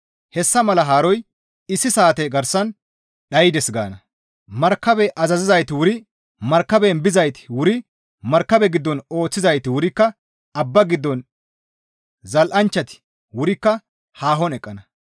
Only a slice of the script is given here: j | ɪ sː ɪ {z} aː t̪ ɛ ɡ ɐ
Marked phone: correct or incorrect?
incorrect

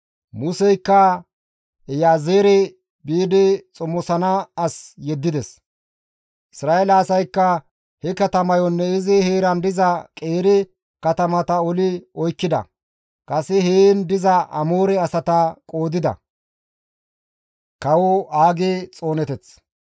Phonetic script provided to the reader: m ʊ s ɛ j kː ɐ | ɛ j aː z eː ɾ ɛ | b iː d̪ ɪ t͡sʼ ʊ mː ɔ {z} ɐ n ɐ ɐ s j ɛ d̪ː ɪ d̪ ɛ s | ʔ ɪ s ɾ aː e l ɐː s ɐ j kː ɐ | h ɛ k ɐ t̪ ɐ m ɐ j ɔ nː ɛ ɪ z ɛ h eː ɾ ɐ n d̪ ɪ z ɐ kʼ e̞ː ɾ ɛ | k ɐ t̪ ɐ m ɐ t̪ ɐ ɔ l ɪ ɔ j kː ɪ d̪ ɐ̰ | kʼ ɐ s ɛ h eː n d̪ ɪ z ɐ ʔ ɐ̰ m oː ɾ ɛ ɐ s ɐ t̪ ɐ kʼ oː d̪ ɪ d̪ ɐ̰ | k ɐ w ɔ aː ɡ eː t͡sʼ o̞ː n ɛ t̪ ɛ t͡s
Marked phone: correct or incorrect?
incorrect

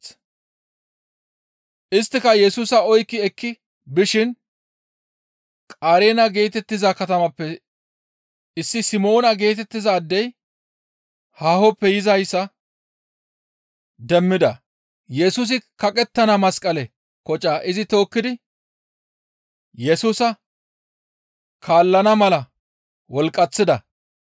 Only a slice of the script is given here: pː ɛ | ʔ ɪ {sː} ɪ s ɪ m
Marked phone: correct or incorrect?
correct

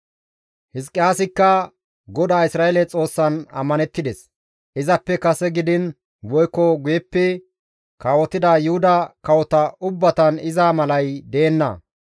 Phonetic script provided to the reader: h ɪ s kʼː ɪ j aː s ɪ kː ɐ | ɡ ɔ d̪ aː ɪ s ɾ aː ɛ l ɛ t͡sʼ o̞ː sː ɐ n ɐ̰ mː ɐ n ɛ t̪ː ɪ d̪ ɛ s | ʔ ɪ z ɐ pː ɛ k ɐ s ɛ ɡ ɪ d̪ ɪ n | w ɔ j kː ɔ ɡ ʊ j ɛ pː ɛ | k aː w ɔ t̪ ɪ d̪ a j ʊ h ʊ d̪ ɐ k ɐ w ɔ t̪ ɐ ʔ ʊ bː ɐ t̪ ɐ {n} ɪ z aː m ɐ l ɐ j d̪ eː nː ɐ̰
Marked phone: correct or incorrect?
correct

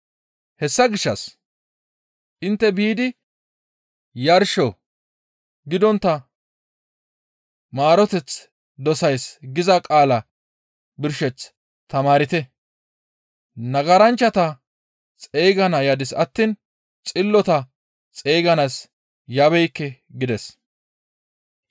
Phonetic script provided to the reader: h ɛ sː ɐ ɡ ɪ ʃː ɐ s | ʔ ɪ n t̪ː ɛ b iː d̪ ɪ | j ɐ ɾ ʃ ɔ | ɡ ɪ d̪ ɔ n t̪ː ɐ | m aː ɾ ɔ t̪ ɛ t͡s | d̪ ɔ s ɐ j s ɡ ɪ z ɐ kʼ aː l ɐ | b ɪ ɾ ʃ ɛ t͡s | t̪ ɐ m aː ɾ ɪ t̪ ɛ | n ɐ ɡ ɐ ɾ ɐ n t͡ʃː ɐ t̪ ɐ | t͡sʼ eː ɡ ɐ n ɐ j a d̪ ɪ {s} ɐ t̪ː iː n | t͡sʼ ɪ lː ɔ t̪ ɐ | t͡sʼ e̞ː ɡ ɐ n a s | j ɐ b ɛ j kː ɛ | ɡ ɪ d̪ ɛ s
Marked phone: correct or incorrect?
correct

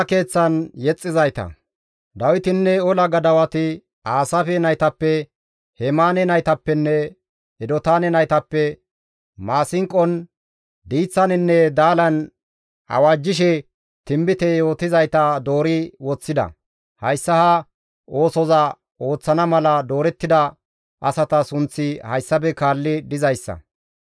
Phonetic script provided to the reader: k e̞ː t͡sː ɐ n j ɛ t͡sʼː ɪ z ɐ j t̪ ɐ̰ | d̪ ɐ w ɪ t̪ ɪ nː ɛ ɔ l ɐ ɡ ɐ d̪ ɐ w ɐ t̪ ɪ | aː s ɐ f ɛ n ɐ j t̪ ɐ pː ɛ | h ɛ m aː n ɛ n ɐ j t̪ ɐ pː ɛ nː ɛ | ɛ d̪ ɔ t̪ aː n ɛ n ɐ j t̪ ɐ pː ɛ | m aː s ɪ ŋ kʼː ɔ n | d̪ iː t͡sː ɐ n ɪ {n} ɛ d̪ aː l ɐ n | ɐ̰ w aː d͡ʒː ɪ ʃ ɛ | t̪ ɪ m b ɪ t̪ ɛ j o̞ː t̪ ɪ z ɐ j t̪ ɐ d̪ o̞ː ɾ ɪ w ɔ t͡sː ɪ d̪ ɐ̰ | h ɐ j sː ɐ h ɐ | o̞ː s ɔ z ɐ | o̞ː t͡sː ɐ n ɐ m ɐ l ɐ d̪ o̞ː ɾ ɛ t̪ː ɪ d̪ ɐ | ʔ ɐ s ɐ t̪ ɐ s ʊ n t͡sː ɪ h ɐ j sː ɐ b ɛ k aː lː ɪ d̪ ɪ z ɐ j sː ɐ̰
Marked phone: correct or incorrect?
incorrect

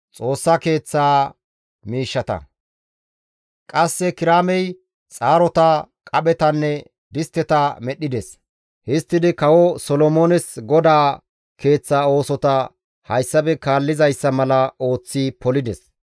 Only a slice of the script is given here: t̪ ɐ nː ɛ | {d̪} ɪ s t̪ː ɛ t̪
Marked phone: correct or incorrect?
correct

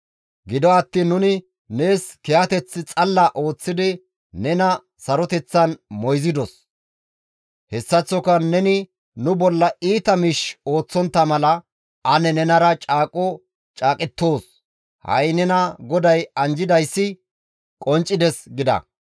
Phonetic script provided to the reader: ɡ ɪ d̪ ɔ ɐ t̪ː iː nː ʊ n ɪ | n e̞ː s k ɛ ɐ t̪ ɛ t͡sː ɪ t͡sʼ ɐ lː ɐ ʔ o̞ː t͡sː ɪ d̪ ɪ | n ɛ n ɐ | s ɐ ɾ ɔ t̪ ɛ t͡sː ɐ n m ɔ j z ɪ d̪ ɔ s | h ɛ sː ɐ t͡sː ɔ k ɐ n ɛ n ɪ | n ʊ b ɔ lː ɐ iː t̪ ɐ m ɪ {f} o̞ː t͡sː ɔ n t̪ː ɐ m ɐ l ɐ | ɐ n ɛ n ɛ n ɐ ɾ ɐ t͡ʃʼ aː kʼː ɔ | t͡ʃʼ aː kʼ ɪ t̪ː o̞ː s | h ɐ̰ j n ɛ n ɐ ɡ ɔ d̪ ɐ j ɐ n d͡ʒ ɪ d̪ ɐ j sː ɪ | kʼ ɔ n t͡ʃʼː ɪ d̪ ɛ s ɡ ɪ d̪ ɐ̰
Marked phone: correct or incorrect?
incorrect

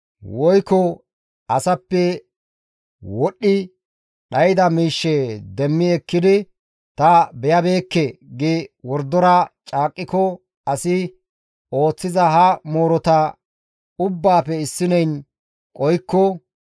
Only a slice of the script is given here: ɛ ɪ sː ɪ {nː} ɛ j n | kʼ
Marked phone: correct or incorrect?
incorrect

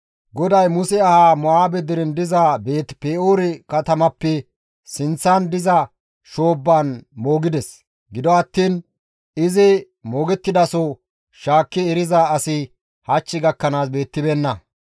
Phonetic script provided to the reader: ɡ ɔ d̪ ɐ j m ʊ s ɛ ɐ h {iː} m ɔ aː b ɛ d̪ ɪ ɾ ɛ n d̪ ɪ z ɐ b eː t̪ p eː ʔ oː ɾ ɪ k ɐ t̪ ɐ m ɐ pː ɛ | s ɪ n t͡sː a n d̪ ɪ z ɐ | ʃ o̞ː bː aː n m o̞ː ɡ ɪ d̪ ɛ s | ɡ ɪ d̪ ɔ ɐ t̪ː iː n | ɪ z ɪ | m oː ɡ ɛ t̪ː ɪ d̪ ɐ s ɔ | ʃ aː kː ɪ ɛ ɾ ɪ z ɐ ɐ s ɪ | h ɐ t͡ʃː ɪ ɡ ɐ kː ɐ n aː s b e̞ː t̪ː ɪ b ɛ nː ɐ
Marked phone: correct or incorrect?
incorrect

